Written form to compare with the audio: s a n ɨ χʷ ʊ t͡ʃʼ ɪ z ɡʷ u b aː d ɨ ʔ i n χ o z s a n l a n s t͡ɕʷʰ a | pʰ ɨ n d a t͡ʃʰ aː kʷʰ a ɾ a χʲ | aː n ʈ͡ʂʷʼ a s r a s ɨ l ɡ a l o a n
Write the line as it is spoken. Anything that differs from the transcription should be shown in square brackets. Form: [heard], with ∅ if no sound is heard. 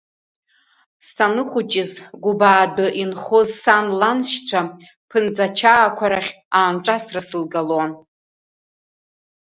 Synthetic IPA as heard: s a n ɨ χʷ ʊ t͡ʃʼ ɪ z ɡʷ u b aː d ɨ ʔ i n χ o z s a n l a n [ʃ] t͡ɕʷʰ a | pʰ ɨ n [d͡z] a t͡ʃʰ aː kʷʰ a ɾ a χʲ | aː n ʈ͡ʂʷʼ a s r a s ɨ l ɡ a l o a n